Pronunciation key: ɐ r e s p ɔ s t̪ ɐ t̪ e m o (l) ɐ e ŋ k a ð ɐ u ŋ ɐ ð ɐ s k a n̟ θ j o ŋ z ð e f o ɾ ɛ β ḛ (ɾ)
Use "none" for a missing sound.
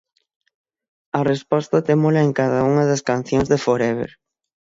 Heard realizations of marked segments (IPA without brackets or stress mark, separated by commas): l, ɾ